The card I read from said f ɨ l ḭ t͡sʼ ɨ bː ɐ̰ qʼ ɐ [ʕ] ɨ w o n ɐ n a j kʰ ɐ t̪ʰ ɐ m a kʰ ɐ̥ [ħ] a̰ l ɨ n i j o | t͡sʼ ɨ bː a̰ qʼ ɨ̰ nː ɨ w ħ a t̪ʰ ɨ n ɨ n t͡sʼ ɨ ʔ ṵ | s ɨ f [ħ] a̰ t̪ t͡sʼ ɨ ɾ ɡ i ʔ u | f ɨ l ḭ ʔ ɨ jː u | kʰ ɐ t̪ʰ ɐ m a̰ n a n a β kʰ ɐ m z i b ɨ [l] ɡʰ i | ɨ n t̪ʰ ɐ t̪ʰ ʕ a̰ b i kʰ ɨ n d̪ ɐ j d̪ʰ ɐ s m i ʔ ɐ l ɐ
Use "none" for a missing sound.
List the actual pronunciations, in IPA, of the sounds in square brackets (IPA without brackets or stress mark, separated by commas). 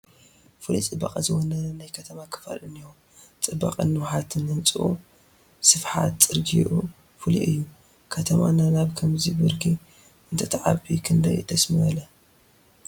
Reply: z, f, ħ, ɾ